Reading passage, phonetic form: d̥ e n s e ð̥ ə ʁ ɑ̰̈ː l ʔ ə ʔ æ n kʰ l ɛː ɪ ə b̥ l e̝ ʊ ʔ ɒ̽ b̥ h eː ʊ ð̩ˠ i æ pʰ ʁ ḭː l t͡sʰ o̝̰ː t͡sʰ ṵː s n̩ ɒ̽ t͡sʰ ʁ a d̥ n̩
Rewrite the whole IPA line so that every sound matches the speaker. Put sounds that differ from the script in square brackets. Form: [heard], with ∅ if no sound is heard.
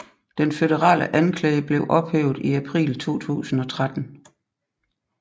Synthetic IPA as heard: d̥ e n [f] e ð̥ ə ʁ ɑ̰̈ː l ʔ ə ʔ æ n kʰ l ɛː ɪ ə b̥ l e̝ ʊ ʔ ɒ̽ b̥ h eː ʊ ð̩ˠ i æ pʰ ʁ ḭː l t͡sʰ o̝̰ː t͡sʰ ṵː s n̩ ɒ̽ t͡sʰ ʁ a d̥ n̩